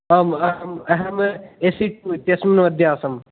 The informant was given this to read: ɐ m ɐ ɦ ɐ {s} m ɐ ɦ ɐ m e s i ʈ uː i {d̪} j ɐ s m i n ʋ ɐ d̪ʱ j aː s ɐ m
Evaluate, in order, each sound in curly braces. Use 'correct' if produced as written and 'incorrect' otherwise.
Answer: incorrect: none, incorrect: t̪

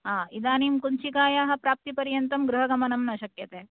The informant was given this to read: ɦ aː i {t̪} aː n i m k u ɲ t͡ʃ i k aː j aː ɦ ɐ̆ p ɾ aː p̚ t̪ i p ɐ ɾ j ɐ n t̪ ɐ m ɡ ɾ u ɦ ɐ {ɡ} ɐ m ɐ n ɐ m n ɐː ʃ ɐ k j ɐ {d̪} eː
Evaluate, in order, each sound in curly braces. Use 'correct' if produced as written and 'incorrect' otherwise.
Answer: incorrect: d̪, correct, incorrect: t̪

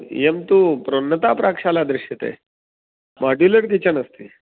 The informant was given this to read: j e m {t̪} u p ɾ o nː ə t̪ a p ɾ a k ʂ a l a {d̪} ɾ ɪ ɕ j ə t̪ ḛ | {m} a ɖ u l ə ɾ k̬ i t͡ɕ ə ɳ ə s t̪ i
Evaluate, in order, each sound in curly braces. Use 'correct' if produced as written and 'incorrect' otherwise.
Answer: correct, correct, correct

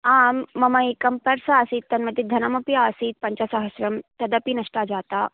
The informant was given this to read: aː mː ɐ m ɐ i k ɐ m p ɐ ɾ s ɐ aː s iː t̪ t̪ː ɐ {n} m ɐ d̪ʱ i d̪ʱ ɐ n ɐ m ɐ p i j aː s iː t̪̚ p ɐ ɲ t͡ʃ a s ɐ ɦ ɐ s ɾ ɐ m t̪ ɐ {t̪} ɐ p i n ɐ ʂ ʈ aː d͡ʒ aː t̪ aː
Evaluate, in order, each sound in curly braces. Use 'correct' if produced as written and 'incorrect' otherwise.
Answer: correct, incorrect: d̪

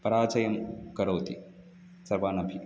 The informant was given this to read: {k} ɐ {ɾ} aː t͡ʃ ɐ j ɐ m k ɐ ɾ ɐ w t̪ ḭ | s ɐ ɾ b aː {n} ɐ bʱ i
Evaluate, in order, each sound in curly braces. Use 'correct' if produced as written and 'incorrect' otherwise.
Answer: incorrect: p, correct, correct

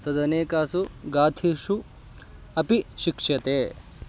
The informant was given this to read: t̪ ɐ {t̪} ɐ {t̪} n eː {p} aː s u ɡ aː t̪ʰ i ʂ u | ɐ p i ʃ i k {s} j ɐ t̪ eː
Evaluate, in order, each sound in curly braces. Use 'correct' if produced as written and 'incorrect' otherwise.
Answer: incorrect: d̪, incorrect: none, incorrect: k, incorrect: ʂ

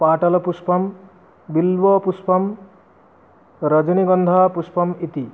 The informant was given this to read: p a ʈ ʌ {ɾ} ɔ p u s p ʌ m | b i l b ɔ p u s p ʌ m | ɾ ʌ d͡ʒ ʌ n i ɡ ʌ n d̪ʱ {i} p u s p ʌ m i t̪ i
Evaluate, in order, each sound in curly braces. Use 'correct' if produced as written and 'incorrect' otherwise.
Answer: incorrect: l, incorrect: a

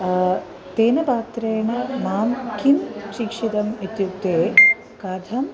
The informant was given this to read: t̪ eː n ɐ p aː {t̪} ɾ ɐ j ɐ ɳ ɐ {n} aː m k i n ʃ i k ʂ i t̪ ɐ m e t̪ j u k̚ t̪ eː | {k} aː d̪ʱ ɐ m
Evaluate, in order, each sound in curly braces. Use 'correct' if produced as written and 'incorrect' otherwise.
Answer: correct, incorrect: m, correct

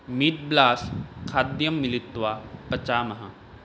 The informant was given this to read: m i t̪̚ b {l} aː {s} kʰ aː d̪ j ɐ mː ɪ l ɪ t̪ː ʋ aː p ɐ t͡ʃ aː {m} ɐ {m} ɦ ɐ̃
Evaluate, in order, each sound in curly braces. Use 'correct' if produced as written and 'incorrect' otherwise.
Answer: correct, correct, correct, incorrect: none

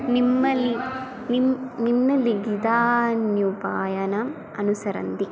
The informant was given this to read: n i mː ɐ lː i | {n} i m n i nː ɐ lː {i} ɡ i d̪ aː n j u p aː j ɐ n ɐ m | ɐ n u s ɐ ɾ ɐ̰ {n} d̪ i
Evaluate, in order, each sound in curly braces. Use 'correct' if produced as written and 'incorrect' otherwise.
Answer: correct, correct, correct

